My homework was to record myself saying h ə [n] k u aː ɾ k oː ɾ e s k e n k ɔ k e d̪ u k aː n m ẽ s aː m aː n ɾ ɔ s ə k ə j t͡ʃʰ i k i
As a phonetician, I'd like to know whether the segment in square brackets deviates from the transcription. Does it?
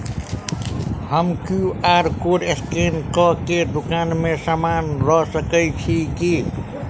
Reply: yes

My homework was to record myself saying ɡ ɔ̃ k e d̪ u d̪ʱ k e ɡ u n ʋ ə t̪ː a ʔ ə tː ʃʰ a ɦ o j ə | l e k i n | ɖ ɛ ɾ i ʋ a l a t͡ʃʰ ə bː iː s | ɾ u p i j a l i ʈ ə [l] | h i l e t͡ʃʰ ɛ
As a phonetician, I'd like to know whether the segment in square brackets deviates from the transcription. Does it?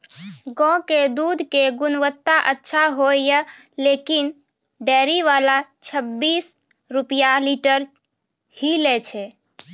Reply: yes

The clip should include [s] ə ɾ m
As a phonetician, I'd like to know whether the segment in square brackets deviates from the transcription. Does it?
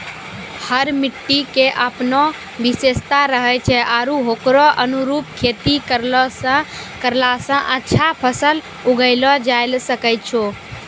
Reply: yes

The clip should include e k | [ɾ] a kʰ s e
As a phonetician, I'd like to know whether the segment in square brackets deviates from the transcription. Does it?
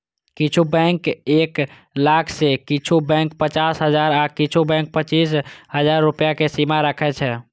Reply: yes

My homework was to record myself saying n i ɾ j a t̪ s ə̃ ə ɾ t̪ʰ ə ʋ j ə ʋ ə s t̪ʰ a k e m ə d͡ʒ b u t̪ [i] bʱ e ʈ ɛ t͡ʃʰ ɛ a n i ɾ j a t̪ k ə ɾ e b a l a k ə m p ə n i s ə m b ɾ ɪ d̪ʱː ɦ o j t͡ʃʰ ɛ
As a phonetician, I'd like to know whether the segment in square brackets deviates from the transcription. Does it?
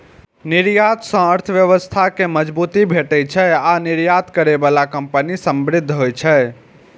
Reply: no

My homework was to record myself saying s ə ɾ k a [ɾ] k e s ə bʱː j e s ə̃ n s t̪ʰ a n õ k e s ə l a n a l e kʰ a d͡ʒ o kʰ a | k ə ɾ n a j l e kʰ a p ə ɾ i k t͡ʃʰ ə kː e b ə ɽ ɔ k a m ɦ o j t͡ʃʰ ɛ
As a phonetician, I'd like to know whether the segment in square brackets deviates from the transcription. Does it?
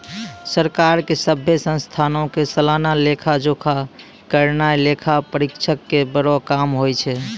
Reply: no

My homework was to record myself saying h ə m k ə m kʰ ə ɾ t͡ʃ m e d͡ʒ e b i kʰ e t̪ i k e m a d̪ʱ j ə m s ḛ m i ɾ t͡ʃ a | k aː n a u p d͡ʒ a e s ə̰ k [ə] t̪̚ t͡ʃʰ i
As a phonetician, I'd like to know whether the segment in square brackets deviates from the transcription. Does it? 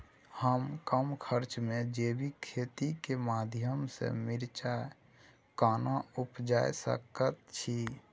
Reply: no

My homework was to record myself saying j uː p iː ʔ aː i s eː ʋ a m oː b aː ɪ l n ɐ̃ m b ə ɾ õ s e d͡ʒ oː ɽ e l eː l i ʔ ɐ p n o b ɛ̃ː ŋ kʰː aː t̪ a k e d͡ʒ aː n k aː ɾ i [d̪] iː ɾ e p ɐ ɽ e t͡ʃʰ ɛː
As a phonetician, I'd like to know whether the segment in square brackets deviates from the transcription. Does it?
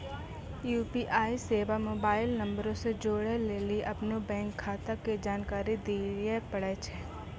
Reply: no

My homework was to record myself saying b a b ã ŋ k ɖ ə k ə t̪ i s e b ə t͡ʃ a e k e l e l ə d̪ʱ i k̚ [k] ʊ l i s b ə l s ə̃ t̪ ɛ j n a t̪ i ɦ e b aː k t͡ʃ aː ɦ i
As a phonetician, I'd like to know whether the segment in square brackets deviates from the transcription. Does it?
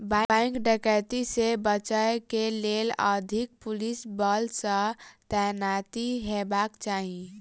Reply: yes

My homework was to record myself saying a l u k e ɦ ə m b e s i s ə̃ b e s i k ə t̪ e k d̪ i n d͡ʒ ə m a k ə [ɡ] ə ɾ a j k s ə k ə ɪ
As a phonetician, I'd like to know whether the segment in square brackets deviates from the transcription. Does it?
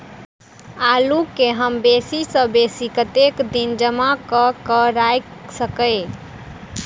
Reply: yes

